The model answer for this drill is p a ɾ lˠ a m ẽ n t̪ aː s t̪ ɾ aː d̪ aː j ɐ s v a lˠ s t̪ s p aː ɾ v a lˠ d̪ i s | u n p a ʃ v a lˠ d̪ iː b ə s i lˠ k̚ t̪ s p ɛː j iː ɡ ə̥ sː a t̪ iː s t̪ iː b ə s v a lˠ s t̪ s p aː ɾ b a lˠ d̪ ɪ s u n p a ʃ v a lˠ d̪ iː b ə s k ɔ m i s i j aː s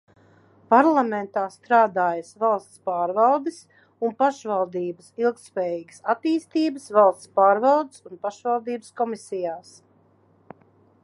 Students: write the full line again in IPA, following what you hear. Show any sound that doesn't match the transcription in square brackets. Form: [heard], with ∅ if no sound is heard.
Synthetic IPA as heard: p a ɾ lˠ a m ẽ n t̪ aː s t̪ ɾ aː d̪ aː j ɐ s v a lˠ s t̪ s p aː ɾ v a lˠ d̪ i s | u n p a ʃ v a lˠ d̪ iː b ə s i lˠ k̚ t̪ s p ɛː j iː ɡ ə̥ [s] a t̪ iː s t̪ iː b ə s v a lˠ s t̪ s p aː ɾ [v] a lˠ d̪ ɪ s u n p a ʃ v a lˠ d̪ iː b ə s k ɔ m i s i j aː s